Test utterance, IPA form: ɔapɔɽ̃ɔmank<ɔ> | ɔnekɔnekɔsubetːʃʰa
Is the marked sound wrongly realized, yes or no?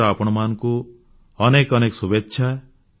yes